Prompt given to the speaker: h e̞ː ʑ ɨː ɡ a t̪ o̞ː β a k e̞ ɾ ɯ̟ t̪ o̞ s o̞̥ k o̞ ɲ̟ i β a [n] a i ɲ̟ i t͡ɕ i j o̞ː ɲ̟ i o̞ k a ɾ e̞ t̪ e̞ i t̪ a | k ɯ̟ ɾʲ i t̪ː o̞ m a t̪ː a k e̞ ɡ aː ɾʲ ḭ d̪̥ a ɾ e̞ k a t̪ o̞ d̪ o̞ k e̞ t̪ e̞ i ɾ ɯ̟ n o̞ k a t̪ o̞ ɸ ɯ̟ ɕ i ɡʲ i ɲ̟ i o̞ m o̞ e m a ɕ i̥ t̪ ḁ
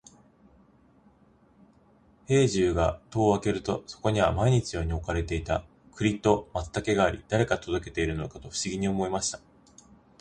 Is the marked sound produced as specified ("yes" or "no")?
no